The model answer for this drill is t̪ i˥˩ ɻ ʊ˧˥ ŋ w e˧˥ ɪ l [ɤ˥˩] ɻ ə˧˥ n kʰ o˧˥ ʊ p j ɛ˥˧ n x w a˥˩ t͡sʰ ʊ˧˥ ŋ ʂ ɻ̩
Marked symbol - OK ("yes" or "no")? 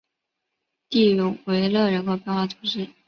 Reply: yes